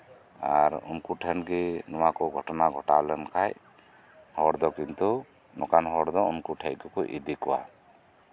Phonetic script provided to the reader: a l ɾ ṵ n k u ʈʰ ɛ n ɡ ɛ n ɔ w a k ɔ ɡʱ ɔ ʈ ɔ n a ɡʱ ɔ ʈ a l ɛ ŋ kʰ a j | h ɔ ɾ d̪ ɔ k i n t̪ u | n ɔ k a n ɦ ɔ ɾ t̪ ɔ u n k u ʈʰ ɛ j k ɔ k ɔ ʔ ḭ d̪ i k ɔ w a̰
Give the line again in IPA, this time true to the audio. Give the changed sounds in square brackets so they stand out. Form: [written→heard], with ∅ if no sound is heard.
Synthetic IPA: a [l→∅] ɾ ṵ n k u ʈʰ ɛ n ɡ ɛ n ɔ w a k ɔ ɡʱ ɔ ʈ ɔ n a ɡʱ ɔ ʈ a l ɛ [ŋ→n] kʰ a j | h ɔ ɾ d̪ ɔ k i n t̪ u | n ɔ k a n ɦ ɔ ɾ [t̪→d̪] ɔ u n k u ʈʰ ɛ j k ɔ k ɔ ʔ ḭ d̪ i k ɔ w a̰